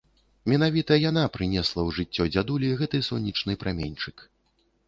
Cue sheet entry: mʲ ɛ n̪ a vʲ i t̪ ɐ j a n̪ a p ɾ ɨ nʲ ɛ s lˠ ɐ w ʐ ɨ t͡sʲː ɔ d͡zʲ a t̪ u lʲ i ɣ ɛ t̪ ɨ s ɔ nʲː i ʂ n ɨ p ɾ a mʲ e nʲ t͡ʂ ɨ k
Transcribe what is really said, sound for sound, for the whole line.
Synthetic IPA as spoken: mʲ ɛ n̪ a vʲ i t̪ ɐ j a n̪ a p ɾ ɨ nʲ ɛ s lˠ ɐ w ʐ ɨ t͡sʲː ɔ d͡zʲ a d̪ u lʲ i ɣ ɛ t̪ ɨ s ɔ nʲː i t͡ʂ n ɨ p ɾ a mʲ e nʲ t͡ʂ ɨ k